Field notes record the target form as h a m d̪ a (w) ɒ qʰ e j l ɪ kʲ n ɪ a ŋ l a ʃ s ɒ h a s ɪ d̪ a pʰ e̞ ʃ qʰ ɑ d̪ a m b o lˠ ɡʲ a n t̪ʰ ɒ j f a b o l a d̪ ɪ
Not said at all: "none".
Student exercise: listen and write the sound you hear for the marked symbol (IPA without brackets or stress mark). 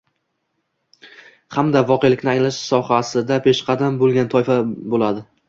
v